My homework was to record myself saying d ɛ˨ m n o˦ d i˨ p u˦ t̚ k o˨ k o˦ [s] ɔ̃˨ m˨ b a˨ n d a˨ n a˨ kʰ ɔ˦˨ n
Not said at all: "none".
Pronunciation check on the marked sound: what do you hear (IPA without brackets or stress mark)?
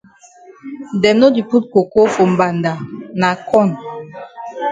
f